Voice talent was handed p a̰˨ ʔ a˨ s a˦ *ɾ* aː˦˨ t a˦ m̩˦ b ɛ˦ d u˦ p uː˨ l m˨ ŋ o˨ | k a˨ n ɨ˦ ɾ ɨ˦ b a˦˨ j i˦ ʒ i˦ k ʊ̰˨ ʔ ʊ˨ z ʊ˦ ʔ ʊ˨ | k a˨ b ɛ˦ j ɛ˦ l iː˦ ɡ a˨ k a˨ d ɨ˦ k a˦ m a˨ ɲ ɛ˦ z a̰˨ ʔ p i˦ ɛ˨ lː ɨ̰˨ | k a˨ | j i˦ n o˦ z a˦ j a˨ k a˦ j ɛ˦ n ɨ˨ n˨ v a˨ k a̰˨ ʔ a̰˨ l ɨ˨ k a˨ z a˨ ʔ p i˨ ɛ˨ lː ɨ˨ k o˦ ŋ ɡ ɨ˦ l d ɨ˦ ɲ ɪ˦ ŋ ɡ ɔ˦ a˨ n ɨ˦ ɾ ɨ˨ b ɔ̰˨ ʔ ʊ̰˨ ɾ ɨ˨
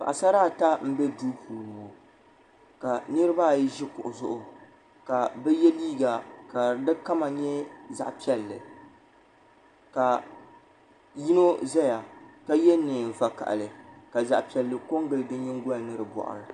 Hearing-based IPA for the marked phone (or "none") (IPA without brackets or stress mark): ɾ